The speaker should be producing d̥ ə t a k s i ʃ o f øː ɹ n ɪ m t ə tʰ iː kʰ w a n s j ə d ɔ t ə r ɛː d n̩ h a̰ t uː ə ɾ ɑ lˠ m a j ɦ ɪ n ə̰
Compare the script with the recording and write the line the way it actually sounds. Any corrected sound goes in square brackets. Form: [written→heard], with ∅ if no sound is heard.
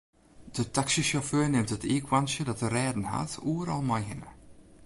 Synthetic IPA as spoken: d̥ ə t a k s i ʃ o f øː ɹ n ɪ m t ə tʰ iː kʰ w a n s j ə d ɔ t ə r ɛː d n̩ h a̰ t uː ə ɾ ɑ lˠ m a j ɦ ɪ n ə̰